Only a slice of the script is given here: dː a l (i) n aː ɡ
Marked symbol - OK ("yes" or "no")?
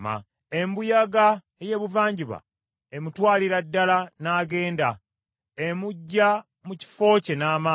no